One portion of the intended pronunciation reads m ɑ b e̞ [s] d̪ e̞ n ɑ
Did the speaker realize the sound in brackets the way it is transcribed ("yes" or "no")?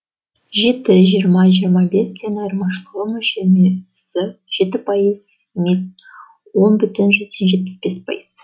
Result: yes